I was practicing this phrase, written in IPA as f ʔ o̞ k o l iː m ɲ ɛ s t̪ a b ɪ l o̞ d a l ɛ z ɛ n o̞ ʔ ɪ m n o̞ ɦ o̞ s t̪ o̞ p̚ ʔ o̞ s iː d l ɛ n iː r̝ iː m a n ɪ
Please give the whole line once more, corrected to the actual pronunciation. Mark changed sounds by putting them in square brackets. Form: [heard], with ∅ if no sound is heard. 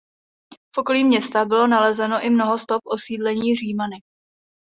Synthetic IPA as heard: f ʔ o̞ k o l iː m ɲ ɛ s t̪ a b ɪ l o̞ [n] a l ɛ z ɛ n o̞ ʔ ɪ m n o̞ ɦ o̞ s t̪ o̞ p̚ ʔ o̞ s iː d l ɛ [ɲ] iː r̝ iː m a n ɪ